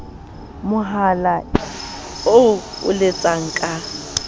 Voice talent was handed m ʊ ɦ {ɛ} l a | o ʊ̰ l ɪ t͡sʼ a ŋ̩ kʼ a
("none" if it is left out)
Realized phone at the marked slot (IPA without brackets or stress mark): a